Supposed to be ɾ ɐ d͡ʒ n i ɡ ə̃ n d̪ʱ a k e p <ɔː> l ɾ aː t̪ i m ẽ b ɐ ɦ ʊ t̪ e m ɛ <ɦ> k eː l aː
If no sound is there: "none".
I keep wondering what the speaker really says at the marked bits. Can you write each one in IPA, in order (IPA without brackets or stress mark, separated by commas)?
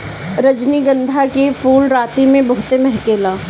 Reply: uː, ɦ